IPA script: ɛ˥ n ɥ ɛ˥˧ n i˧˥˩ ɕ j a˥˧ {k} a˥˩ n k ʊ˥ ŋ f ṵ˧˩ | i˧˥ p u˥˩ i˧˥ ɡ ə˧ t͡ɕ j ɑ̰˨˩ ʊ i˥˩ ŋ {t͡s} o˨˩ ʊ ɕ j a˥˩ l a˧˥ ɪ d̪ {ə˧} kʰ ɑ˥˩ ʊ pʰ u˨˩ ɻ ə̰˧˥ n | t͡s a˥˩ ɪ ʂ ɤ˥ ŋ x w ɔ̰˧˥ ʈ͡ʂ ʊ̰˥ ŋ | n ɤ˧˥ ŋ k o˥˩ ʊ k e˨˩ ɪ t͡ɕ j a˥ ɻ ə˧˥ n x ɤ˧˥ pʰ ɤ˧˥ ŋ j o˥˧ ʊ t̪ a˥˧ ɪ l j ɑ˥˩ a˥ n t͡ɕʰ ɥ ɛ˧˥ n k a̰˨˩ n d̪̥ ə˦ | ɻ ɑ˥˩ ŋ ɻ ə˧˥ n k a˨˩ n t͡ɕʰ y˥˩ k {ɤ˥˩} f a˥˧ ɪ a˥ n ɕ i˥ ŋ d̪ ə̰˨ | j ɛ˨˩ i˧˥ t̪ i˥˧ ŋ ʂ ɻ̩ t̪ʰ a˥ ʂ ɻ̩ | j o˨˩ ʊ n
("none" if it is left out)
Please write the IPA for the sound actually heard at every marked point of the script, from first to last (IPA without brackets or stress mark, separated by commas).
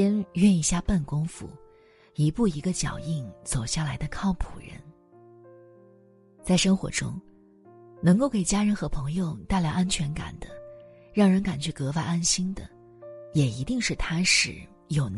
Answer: p, t͡s, ə˧, ɤ˧˥